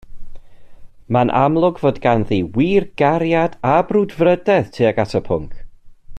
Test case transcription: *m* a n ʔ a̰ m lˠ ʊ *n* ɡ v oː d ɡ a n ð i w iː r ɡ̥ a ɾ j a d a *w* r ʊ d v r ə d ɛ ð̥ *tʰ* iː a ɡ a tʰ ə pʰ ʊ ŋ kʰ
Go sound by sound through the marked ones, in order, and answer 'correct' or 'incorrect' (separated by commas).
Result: correct, incorrect, incorrect, correct